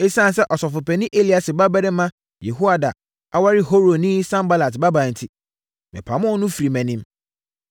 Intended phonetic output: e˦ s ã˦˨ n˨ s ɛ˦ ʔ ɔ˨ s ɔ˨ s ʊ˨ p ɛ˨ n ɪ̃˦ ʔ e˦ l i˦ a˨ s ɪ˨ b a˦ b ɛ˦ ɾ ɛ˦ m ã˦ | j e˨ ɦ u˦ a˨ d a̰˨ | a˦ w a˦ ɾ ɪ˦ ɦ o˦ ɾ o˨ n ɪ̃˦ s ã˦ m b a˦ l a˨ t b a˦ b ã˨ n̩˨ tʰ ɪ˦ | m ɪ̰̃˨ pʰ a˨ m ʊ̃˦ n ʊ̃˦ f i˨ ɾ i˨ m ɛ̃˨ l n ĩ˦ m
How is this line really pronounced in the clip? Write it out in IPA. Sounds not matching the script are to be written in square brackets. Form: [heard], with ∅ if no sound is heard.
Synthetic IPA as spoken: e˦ s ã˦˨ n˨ s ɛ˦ ʔ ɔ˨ s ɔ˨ [f] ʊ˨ p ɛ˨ n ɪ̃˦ ʔ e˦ l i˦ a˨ s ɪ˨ b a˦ b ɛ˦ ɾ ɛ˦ m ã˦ | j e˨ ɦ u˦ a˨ d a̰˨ | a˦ w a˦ ɾ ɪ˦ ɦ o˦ ɾ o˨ n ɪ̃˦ s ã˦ m b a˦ l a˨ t b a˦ b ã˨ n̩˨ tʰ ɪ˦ | m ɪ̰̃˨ pʰ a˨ m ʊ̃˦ n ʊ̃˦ f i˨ ɾ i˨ m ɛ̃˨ [∅] n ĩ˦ m